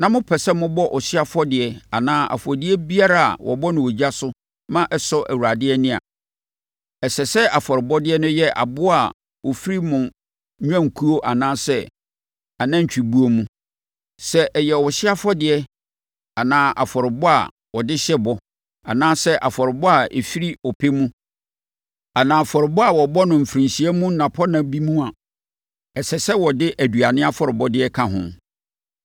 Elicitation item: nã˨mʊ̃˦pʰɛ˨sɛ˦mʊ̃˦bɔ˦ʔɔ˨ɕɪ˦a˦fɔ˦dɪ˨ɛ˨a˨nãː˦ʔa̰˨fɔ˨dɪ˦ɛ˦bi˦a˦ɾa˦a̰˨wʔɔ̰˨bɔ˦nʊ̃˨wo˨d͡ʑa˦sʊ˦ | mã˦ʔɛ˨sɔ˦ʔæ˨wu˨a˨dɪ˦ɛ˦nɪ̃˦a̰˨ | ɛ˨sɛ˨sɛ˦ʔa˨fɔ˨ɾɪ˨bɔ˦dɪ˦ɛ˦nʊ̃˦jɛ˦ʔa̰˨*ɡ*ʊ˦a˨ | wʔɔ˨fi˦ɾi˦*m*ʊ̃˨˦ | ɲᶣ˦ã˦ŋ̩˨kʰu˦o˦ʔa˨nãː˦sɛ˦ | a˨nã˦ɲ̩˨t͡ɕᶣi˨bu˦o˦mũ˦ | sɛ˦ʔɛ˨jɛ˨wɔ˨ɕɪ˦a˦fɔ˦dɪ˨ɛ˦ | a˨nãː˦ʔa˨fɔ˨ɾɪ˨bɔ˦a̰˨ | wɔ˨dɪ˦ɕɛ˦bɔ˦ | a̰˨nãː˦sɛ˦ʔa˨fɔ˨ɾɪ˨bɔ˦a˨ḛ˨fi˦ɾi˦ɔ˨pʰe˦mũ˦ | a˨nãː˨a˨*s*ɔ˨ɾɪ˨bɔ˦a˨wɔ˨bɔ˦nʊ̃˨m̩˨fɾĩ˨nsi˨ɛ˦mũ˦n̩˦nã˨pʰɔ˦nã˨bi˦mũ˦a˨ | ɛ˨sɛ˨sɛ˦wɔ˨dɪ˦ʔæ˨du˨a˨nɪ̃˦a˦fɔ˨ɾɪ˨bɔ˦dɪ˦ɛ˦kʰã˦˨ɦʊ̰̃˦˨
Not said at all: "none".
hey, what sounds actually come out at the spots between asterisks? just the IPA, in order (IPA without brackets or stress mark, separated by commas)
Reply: b, m, f